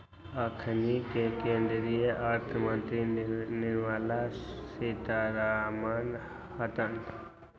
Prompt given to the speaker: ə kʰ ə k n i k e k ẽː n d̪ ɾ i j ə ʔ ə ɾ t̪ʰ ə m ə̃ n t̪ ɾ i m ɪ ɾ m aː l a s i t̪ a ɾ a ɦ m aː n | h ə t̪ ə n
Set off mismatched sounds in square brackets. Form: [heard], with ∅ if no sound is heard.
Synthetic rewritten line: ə kʰ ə [∅] n i k e k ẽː n d̪ ɾ i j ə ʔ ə ɾ t̪ʰ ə m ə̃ n t̪ ɾ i [n] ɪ ɾ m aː l a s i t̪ a ɾ a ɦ m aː n | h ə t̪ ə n